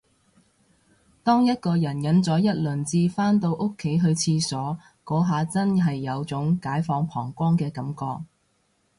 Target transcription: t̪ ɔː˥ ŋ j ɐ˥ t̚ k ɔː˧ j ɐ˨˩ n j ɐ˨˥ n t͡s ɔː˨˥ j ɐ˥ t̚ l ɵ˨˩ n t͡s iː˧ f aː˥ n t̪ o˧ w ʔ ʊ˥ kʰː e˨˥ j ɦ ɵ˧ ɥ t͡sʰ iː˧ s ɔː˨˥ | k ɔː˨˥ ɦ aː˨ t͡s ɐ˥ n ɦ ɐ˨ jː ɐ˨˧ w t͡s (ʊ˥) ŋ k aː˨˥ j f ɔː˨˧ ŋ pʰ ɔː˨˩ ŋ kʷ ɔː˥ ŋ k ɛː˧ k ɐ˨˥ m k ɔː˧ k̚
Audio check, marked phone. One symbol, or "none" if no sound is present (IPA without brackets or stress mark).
ʊ˨˥